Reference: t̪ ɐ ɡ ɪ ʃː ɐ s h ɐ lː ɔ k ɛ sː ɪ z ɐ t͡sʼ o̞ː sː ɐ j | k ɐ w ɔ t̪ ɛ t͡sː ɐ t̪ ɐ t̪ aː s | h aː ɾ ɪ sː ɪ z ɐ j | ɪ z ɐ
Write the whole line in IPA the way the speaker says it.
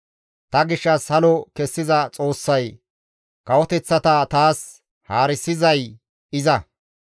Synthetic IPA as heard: t̪ ɐ ɡ ɪ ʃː ɐ s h ɐ l ɔ k ɛ sː ɪ z ɐ t͡sʼ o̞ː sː ɐ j | k ɐ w ɔ t̪ ɛ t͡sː ɐ t̪ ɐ t̪ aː s | h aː ɾ ɪ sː ɪ z ɐ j | ɪ z ɐ